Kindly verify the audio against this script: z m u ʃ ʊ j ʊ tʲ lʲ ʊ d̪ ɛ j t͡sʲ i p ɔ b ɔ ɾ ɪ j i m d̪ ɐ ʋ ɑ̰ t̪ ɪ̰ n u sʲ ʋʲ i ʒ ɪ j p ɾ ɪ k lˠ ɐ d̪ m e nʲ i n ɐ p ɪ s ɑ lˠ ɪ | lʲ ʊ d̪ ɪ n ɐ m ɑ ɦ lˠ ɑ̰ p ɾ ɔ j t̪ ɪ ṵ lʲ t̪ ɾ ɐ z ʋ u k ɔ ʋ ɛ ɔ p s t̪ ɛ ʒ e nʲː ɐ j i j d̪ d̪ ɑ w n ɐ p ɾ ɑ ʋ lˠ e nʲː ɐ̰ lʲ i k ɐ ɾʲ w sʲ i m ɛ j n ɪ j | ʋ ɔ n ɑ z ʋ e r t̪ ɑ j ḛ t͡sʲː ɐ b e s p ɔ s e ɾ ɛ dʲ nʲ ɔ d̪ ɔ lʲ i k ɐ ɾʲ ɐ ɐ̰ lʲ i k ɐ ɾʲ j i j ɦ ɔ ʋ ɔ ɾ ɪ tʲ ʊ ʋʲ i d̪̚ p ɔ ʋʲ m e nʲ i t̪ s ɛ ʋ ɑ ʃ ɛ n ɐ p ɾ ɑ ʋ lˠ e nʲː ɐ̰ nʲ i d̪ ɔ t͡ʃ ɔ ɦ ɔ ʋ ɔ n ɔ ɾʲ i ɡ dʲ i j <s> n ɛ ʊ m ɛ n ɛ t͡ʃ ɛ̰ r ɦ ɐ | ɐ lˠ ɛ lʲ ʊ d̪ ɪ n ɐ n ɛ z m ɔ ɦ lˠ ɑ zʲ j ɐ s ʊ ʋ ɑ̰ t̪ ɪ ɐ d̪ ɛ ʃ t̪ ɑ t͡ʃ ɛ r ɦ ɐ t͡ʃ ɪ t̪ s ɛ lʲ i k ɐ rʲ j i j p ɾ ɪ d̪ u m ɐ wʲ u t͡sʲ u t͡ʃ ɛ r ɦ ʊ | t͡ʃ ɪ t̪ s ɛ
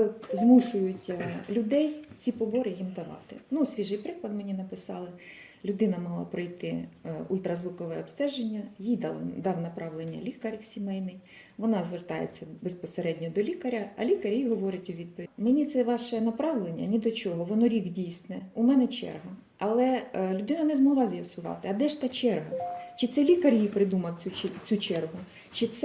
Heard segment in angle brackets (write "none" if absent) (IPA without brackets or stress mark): s